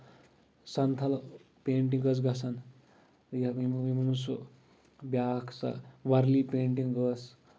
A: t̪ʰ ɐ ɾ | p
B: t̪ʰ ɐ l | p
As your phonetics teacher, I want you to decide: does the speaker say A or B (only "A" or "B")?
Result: B